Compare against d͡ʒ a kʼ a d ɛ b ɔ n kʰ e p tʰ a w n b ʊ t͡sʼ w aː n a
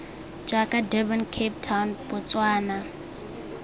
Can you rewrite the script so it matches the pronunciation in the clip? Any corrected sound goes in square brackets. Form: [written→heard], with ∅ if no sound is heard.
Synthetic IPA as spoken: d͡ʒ a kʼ a d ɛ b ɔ n kʰ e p tʰ a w n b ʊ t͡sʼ w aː n a